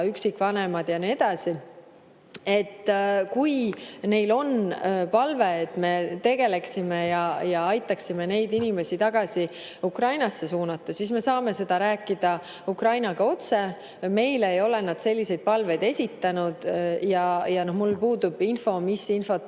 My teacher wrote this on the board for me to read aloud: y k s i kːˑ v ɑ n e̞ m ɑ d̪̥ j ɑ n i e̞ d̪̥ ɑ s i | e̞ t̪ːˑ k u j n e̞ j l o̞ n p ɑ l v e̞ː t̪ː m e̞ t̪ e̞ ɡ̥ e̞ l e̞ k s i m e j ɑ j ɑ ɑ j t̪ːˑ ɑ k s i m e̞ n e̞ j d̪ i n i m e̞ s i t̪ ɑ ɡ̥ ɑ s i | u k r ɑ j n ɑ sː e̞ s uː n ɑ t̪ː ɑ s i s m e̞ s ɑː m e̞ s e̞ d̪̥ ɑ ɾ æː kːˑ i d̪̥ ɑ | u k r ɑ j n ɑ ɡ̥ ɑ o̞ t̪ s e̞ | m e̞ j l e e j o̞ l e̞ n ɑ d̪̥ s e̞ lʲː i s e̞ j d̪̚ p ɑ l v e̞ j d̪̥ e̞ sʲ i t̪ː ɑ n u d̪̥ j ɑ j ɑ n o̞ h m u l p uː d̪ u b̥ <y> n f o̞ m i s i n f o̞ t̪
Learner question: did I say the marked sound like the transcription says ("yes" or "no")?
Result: no